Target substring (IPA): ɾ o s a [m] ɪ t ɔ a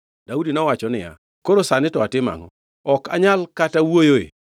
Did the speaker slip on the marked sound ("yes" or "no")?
yes